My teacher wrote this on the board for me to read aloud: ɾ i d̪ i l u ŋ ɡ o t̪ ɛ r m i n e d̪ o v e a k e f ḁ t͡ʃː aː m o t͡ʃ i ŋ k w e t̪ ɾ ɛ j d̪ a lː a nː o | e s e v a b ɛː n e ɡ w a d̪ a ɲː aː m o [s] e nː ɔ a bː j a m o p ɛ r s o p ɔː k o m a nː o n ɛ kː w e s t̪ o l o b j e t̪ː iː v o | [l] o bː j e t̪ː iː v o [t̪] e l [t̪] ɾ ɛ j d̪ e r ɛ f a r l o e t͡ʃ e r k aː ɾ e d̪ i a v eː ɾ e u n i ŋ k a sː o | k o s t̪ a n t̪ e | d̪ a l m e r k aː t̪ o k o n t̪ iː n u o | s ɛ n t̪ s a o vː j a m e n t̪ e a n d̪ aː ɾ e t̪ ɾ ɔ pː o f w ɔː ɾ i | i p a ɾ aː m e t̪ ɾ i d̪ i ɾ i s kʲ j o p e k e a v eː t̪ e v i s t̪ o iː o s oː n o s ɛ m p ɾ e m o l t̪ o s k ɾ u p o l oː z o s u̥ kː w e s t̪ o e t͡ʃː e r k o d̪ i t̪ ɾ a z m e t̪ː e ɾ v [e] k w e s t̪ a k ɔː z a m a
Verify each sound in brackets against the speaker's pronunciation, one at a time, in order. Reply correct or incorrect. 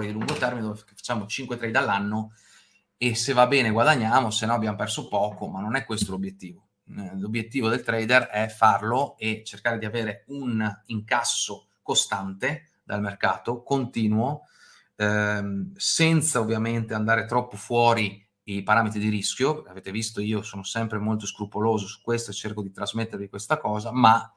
correct, correct, incorrect: d̪, correct, incorrect: i

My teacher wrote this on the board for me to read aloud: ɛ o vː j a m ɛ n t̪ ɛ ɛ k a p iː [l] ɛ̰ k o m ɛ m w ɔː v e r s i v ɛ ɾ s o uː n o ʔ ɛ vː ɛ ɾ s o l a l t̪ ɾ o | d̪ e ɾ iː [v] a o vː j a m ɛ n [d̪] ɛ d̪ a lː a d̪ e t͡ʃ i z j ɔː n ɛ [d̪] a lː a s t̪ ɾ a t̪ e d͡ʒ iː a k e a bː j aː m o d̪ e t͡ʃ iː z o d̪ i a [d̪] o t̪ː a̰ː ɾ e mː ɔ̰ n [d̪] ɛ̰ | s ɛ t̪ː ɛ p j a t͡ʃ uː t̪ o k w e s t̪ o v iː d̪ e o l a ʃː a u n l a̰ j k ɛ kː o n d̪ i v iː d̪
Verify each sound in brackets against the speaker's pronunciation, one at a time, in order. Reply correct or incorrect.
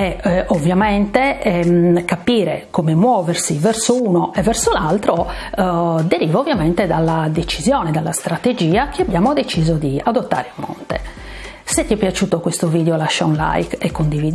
incorrect: ɾ, correct, incorrect: t̪, correct, correct, incorrect: t̪

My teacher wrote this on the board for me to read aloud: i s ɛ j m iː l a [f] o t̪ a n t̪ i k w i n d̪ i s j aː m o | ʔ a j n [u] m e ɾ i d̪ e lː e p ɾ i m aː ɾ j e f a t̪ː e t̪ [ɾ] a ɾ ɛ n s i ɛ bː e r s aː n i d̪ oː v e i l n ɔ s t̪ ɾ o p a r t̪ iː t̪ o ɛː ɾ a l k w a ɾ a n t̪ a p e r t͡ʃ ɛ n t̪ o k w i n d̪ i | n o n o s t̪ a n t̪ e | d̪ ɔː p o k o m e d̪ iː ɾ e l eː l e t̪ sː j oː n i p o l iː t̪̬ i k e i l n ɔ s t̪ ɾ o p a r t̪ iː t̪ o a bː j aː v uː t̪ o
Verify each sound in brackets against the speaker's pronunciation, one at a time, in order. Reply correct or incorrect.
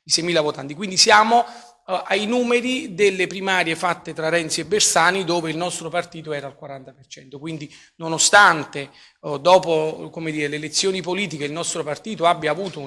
incorrect: v, incorrect: uː, correct

